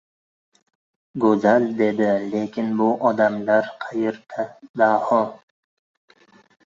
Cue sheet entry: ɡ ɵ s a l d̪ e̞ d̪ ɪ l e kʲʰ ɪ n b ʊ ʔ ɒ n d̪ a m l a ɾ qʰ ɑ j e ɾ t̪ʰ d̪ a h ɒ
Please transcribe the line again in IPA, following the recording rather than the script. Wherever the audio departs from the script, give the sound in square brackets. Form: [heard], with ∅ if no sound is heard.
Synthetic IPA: ɡ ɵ [z] a l d̪ e̞ d̪ ɪ l e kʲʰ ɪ n b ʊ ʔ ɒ [∅] d̪ a m l a ɾ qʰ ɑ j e ɾ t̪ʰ d̪ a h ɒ